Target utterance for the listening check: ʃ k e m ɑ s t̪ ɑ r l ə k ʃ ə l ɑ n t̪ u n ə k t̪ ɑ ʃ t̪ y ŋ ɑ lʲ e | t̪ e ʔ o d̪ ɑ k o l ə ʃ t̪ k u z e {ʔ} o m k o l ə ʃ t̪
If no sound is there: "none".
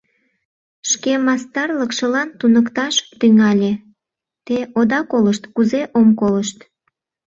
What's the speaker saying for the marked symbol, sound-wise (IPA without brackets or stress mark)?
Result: ʔ